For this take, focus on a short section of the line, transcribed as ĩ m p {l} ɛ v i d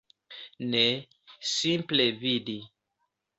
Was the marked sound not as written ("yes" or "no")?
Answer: no